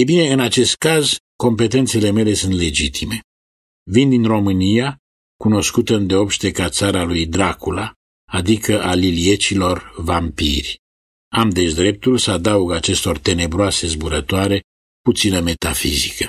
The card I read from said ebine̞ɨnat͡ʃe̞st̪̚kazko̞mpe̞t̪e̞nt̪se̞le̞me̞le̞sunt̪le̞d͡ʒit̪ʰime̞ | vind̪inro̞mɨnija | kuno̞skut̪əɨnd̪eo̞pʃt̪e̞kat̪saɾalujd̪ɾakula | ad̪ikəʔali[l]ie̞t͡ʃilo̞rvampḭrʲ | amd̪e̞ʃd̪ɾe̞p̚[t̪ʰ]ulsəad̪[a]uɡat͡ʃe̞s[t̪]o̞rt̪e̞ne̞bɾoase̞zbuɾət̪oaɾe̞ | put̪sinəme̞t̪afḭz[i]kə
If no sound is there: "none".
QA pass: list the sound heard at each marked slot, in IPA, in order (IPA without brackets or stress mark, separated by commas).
l, t̪, a, t̪, i